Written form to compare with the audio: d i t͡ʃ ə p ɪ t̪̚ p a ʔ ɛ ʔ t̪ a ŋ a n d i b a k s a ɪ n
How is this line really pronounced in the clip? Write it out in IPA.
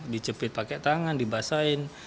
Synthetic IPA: d i t͡ʃ ə p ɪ t̪̚ p a k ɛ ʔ t̪ a ŋ a n d i b a s a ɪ n